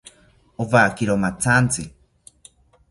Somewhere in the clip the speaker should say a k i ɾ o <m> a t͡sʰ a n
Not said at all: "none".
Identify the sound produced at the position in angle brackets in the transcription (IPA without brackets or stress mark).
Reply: m